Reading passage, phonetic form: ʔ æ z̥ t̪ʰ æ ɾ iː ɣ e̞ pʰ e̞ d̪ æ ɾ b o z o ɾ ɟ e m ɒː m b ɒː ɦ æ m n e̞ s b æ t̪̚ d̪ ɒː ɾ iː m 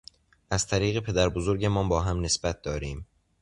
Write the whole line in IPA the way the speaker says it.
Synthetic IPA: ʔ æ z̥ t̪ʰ æ ɾ iː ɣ e̞ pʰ e̞ d̪ æ ɾ b o z o ɾ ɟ e m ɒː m b ɒː ɦ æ m n e̞ s b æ t̪̚ d̪ ɒː ɾ iː m